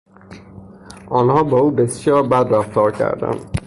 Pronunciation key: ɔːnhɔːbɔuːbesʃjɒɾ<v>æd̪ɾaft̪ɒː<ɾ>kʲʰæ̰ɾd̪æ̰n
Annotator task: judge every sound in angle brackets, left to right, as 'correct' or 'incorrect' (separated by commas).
incorrect, correct